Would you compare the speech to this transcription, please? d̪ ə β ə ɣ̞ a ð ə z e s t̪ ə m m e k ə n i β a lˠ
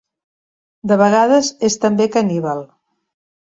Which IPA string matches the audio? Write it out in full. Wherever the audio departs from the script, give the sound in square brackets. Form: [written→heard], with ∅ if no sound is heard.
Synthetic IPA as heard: d̪ ə β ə ɣ̞ a ð ə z e s t̪ ə m [m→b] e k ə n i β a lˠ